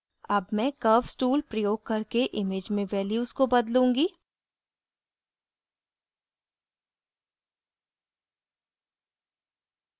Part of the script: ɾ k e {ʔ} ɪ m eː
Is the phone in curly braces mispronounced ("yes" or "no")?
no